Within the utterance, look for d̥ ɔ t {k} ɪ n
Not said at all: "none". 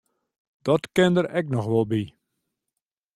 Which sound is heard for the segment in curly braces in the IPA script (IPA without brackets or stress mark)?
k